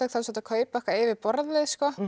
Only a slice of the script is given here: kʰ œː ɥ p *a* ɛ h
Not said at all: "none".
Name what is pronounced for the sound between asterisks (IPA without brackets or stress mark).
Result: a